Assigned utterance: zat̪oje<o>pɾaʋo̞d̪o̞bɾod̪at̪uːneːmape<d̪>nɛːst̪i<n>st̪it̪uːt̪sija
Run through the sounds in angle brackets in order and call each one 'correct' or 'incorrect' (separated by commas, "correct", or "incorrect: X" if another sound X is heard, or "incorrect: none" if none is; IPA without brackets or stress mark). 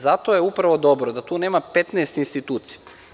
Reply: incorrect: u, incorrect: t̪, correct